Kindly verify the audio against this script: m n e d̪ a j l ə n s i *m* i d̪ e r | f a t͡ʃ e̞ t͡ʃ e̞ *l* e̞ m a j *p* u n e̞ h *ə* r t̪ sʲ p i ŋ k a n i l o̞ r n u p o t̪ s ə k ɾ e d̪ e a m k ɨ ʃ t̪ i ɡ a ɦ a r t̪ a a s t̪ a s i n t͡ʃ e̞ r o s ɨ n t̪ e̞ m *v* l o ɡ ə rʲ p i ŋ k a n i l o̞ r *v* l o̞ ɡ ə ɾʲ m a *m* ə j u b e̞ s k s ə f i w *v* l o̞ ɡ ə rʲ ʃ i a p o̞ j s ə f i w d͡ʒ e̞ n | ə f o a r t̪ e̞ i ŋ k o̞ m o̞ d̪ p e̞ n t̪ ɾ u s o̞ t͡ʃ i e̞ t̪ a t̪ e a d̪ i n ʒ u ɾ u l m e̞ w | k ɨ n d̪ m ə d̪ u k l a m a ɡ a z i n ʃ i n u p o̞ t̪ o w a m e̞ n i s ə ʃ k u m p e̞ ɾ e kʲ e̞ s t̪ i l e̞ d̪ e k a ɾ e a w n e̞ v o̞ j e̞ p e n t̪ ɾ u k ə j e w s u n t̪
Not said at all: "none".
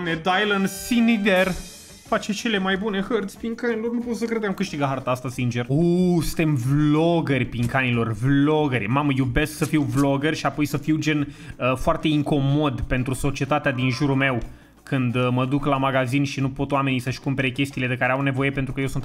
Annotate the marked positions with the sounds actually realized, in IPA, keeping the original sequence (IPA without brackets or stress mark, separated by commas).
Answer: n, l, b, ə, v, v, m, v